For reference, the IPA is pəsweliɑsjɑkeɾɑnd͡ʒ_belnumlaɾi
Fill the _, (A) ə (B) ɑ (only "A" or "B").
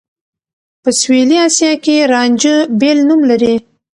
A